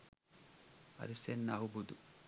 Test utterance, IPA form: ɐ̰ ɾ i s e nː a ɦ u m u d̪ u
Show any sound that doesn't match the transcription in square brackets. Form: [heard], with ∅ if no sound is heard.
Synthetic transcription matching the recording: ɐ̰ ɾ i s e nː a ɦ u [b] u d̪ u